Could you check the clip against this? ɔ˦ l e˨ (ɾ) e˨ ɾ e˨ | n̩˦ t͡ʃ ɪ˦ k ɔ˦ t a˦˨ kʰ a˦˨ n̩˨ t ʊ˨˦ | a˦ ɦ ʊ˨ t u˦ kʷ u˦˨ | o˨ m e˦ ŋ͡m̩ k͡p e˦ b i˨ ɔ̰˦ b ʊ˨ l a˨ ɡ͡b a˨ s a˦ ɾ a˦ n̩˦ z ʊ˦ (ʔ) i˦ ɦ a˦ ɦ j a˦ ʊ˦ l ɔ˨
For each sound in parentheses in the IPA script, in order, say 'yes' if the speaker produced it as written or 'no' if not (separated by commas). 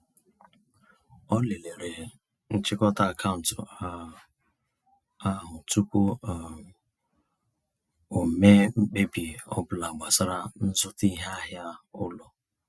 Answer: no, no